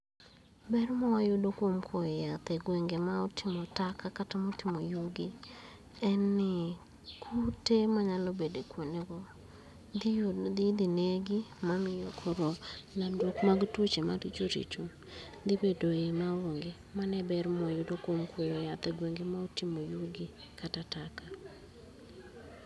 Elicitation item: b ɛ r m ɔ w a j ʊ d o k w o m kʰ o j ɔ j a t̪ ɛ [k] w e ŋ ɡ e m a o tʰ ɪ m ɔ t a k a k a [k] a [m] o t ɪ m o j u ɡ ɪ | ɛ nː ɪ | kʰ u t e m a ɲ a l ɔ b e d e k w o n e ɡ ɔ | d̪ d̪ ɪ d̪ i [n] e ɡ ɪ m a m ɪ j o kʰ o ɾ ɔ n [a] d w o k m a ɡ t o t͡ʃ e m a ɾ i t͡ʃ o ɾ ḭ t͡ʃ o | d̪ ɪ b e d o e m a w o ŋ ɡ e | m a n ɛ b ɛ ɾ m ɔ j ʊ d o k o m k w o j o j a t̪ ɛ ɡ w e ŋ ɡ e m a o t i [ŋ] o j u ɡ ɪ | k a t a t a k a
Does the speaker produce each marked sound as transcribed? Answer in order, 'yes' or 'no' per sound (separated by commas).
no, no, yes, yes, yes, no